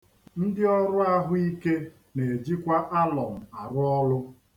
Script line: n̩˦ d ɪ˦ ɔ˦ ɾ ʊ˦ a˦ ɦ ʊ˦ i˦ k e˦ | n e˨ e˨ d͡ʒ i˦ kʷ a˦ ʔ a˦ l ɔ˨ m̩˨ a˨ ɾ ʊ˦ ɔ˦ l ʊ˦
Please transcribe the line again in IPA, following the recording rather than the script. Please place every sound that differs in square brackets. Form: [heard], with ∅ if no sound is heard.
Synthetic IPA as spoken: n̩˦ d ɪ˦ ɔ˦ ɾ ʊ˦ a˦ ɦ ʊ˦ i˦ k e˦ | n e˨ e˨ d͡ʒ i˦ kʷ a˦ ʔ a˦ l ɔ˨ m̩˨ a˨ ɾ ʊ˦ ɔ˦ l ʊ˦